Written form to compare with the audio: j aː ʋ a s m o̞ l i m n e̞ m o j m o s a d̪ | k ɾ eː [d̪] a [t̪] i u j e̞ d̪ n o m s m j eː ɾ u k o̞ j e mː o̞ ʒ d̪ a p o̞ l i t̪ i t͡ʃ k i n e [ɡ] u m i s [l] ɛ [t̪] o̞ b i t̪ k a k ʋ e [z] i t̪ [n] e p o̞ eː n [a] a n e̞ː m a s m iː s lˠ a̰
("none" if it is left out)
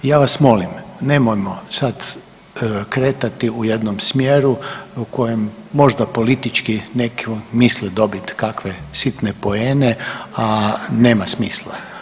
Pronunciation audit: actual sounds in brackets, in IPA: t̪, t̪, k, l, d̪, s, n, e

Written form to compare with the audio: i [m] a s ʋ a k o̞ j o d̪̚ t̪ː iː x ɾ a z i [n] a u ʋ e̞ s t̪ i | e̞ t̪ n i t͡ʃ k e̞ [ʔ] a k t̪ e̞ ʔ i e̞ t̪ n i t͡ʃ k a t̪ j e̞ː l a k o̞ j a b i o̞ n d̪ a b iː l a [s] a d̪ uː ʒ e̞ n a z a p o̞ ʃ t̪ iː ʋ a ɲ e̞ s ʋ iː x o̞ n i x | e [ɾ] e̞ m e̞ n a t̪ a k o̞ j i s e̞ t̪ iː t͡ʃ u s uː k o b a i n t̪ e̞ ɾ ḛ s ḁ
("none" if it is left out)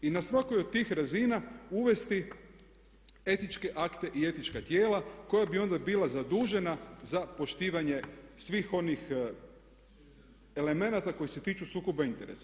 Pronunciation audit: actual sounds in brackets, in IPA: n, n, ʔ, z, l

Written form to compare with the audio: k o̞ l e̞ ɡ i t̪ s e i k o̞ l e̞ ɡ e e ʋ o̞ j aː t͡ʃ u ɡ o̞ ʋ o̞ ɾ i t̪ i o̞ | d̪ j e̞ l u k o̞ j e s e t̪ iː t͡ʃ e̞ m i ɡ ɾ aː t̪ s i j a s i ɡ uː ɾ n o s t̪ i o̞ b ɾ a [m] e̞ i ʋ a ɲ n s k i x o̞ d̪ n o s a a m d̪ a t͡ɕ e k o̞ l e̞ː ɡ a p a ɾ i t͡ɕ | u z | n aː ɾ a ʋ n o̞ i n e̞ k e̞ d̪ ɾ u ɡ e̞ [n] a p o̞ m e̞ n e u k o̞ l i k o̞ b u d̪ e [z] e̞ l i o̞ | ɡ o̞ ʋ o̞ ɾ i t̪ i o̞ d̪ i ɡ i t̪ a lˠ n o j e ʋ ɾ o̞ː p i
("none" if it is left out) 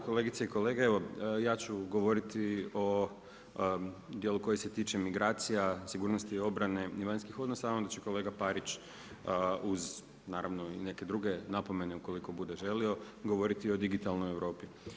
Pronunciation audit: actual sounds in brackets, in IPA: n, n, ʒ

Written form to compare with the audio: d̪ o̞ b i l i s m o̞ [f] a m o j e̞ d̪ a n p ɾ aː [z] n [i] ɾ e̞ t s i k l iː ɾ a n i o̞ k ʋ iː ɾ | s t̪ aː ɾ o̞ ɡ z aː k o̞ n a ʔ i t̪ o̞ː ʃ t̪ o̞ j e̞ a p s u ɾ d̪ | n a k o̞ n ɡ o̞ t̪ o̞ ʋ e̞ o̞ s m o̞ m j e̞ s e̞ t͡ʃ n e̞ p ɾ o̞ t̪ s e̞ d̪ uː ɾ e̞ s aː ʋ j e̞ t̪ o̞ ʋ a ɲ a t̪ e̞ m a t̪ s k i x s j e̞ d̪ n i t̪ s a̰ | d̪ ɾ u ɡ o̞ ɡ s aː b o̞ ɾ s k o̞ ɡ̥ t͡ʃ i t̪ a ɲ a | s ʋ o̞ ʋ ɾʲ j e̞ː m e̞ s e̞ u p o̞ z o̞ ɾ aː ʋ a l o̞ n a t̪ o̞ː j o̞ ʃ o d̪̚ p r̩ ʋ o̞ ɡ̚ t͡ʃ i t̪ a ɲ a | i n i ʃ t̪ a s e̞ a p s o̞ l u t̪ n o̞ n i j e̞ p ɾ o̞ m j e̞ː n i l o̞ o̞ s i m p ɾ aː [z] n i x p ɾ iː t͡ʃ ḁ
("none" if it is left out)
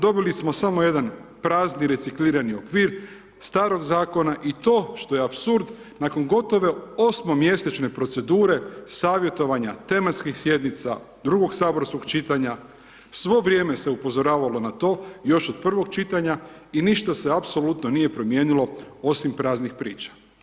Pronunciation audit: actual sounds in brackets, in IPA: s, z, i, z

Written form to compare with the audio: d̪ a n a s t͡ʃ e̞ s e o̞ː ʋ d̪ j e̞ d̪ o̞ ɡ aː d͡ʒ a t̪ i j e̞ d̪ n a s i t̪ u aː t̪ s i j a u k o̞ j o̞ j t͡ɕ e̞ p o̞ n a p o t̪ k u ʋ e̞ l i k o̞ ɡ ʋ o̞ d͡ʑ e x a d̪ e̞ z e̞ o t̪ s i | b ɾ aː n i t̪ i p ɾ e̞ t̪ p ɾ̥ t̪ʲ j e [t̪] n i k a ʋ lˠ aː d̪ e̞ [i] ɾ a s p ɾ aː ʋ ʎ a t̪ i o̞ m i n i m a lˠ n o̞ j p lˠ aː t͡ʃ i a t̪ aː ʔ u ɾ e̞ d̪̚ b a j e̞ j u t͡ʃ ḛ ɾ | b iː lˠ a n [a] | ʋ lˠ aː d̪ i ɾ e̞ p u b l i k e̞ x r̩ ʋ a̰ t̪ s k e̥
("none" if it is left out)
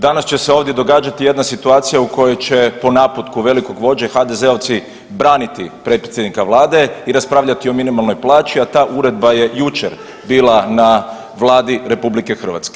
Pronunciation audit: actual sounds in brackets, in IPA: d̪, i, a

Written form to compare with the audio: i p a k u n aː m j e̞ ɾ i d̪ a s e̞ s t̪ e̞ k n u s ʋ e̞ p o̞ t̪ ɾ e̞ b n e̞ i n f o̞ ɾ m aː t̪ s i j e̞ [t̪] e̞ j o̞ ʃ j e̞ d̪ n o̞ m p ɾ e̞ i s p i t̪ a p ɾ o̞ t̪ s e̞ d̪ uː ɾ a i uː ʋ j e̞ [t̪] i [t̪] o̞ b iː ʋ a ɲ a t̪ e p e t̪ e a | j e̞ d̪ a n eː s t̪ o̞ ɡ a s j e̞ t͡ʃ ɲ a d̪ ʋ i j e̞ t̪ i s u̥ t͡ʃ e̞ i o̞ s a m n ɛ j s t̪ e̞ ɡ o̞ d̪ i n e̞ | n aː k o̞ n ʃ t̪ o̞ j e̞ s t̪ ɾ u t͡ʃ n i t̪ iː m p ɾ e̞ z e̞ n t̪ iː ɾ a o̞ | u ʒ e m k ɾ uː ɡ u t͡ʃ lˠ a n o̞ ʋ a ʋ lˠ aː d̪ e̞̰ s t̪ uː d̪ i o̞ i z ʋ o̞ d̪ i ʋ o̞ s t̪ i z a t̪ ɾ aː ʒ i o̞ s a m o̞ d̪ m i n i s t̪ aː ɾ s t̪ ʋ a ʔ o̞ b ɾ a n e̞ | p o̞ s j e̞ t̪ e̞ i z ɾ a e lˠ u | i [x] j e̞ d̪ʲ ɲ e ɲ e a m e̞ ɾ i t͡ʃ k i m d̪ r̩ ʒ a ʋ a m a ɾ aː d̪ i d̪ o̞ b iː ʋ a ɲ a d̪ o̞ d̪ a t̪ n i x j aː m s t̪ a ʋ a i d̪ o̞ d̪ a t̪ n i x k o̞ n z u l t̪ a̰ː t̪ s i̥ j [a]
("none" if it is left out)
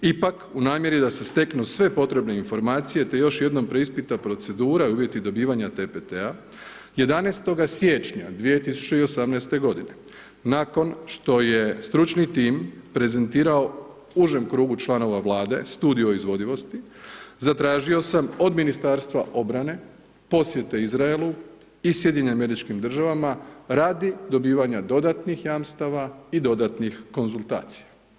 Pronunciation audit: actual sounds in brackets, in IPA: t̪, t̪, d̪, s, a

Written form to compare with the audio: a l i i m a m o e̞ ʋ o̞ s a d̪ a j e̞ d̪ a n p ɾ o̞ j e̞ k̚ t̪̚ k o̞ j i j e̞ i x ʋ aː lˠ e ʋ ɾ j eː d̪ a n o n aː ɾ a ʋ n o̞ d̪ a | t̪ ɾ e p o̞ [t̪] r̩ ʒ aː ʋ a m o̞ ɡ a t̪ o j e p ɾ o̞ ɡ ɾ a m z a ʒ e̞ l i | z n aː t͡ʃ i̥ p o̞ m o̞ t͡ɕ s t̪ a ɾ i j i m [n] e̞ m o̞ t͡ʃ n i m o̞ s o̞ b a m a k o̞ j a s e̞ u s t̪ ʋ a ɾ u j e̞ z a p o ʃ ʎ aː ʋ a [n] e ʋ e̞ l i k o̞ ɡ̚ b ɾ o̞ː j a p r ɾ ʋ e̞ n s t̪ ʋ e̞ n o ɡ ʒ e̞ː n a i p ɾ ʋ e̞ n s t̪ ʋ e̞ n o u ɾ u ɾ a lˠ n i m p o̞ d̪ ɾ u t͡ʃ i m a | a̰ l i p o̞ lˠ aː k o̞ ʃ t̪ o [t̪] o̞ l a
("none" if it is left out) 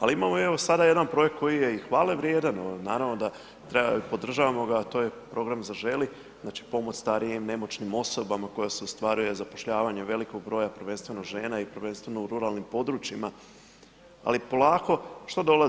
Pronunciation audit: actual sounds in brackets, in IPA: d̪, n, ɲ, d̪

